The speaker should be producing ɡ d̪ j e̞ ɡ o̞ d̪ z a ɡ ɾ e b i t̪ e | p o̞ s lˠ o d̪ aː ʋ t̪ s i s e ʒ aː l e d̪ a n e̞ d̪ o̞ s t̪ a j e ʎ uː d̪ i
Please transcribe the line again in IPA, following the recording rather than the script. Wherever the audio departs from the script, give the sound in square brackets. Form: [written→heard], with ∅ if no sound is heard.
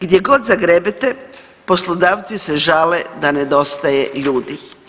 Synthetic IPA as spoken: ɡ d̪ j e̞ ɡ o̞ d̪ z a ɡ ɾ e b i t̪ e | p o̞ s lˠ o d̪ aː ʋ t̪ s i s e ʒ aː l e d̪ a n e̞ d̪ o̞ s t̪ a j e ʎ uː d̪ i